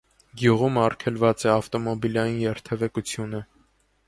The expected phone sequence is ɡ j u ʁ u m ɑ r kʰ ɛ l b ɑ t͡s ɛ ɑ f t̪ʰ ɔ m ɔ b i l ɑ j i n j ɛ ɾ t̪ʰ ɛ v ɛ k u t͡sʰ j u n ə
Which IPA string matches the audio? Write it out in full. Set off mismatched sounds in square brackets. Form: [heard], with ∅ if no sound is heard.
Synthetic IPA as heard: ɡ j u ʁ u m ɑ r kʰ ɛ l [v] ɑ t͡s ɛ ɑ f [t̪] ɔ m ɔ b i l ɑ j i n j ɛ ɾ t̪ʰ ɛ v ɛ k u t͡sʰ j u n ə